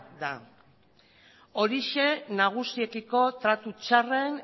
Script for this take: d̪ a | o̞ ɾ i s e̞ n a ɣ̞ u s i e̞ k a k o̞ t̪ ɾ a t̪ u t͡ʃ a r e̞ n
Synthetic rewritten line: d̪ a | o̞ ɾ i ʃ e̞ n a ɣ̞ u s i e̞ k i k o̞ t̪ ɾ a t̪ u t͡ʃ a r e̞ n